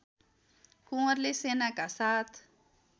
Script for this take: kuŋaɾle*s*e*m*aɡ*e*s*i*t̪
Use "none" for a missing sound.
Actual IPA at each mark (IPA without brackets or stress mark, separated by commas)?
s, n, a, a